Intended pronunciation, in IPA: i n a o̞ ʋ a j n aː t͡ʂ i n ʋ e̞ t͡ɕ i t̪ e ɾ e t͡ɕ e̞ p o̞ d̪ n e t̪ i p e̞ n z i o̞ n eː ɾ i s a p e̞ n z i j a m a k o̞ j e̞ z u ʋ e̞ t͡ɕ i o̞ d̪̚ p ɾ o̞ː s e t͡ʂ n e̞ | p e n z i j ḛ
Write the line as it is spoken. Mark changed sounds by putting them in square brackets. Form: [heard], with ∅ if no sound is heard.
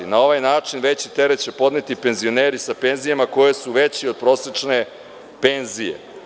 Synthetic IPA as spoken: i n a o̞ ʋ a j n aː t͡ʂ i n ʋ e̞ t͡ɕ i t̪ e ɾ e t͡ɕ e̞ p o̞ d̪ n e t̪ i p e̞ n z i o̞ n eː ɾ i s a p e̞ n z i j a m a k o̞ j e̞ [s] u ʋ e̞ t͡ɕ i o̞ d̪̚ p ɾ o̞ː s e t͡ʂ n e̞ | p e n z i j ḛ